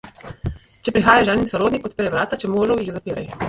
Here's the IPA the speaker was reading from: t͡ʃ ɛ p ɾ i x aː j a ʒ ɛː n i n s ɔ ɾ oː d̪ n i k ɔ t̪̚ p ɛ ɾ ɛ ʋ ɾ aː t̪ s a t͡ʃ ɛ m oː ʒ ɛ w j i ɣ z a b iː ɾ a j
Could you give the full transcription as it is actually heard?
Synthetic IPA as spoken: t͡ʃ ɛ p ɾ i x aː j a ʒ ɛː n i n s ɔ ɾ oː d̪ n i k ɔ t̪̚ p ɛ ɾ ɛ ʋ ɾ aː t̪ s a t͡ʃ ɛ m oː ʒ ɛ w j i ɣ z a p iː ɾ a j

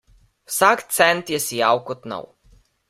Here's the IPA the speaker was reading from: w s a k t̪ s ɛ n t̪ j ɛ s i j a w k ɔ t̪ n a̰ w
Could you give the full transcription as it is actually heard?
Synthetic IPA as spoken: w s a k t̪ s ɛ n t̪ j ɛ s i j a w k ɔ t̪ n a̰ w

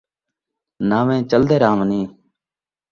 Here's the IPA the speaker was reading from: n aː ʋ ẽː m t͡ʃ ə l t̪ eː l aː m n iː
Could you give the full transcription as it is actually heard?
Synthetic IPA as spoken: n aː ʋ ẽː t͡ʃ ə l d̪ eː ɾ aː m n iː

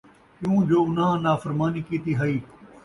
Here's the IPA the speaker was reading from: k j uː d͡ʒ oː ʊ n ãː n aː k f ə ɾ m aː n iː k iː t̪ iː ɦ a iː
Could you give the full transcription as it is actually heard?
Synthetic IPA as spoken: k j ũː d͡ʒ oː ʊ n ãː n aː f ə ɾ m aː n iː k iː t̪ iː ɦ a iː

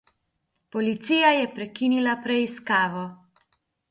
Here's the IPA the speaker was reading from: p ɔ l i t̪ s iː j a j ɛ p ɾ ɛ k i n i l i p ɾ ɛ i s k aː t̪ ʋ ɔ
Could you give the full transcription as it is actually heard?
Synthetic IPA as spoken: p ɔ l i t̪ s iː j a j ɛ p ɾ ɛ k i n i l a p ɾ ɛ i s k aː ʋ ɔ

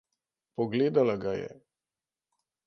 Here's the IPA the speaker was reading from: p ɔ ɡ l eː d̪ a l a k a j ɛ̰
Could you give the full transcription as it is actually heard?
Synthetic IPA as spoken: p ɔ ɡ l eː d̪ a l a ɡ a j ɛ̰

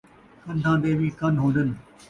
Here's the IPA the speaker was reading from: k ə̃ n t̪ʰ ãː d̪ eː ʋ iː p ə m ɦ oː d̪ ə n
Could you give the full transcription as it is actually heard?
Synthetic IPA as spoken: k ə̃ n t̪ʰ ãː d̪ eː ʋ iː k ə n ɦ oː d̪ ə n

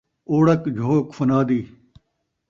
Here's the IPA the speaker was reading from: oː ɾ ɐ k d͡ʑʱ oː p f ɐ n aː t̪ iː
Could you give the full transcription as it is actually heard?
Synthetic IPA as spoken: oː ɽ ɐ k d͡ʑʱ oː k f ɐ n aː d̪ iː

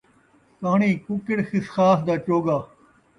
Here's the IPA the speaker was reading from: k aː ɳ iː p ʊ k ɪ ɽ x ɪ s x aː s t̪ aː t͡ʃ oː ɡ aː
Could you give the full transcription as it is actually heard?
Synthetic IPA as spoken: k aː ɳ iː k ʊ k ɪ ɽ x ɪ s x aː s d̪ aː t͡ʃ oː ɡ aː

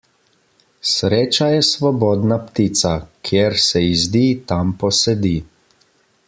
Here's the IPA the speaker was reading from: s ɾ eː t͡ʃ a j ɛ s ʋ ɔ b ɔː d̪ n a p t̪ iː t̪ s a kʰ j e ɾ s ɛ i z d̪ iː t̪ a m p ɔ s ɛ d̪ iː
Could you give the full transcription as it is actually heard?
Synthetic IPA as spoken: s ɾ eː t͡ʃ a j ɛ s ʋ ɔ b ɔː d̪ n a p t̪ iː t̪ s a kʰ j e ɾ s ɛ i z d̪ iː t̪ a m p ɔ s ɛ d̪ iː

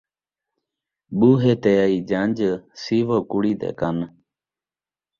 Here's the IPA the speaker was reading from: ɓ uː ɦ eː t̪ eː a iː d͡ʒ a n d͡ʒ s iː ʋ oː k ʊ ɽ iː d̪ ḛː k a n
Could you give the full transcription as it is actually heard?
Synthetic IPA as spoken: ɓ uː ɦ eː t̪ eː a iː d͡ʒ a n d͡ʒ s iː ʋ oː k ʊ ɽ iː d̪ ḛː k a n

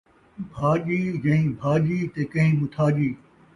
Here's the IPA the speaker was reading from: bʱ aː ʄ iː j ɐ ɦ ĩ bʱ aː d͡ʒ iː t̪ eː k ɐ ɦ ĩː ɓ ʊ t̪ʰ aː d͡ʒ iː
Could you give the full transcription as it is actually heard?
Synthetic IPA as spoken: bʱ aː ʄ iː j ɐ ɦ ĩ bʱ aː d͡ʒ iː t̪ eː k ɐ ɦ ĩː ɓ ʊ t̪ʰ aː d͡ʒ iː

